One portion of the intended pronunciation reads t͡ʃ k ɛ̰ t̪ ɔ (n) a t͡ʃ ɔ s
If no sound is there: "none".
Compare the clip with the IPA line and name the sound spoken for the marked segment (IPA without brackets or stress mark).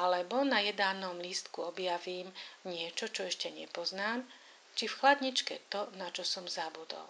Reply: n